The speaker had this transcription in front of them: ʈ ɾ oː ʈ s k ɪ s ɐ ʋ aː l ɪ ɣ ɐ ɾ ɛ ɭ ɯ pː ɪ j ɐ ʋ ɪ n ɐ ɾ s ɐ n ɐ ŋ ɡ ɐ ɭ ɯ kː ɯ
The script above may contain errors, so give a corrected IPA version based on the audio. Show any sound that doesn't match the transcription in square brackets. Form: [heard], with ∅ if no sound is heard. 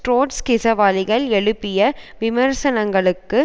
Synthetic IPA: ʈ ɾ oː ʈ s k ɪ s ɐ ʋ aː l ɪ ɣ ɐ [ɭ] ɛ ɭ ɯ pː ɪ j ɐ ʋ ɪ [m] ɐ ɾ s ɐ n ɐ ŋ ɡ ɐ ɭ ɯ kː ɯ

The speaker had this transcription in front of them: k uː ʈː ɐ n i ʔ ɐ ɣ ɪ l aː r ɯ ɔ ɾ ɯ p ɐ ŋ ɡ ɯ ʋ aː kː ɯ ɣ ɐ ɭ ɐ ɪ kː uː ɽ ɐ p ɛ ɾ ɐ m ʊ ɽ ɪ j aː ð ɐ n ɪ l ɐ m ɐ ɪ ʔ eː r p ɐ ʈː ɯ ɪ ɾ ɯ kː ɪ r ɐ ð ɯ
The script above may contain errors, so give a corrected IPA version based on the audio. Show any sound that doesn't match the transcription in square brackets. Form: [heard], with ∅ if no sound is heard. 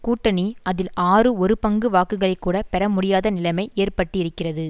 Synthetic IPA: k uː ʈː ɐ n i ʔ ɐ [ð] ɪ l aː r ɯ ɔ ɾ ɯ p ɐ ŋ ɡ ɯ ʋ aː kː ɯ ɣ ɐ ɭ ɐ ɪ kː uː ɽ ɐ p ɛ ɾ ɐ m ʊ ɽ ɪ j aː ð ɐ n ɪ l ɐ m ɐ ɪ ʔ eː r p ɐ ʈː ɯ ɪ ɾ ɯ kː ɪ r ɐ ð ɯ

